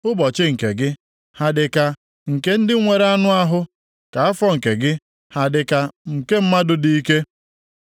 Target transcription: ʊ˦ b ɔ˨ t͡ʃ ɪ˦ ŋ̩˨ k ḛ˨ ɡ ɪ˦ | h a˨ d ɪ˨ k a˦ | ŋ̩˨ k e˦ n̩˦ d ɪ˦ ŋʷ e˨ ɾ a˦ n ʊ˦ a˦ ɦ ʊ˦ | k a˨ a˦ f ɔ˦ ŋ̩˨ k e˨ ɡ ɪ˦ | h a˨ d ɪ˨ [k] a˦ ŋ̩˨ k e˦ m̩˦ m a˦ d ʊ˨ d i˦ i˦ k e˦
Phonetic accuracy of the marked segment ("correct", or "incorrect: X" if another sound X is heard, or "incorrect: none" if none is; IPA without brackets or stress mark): correct